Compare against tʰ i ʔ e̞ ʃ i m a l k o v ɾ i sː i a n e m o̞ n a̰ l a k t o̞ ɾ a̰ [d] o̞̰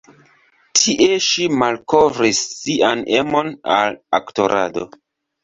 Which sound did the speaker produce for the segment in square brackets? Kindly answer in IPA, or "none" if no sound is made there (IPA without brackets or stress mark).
d